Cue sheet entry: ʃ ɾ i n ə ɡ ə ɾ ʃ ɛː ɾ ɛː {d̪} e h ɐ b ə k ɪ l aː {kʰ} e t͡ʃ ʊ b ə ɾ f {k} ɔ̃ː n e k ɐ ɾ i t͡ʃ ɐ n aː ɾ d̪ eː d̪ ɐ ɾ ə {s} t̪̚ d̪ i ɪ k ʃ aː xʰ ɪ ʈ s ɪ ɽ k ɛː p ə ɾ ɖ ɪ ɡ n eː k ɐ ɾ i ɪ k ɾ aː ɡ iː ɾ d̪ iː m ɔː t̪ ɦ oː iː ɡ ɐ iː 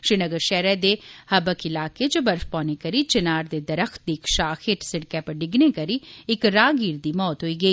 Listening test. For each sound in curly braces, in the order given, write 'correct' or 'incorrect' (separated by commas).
correct, incorrect, incorrect, incorrect